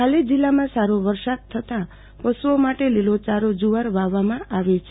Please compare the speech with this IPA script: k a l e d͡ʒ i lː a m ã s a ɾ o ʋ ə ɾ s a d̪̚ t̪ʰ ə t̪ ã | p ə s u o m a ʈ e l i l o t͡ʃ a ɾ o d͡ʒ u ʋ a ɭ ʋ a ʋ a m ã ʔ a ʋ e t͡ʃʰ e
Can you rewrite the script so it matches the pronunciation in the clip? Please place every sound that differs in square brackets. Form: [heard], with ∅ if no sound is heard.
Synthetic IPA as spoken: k a l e d͡ʒ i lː a m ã s a ɾ o ʋ ə ɾ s a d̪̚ t̪ʰ ə t̪ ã | p ə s u o m a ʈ e l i l o t͡ʃ a ɾ o d͡ʒ u ʋ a [ɾ] ʋ a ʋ a m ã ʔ a ʋ e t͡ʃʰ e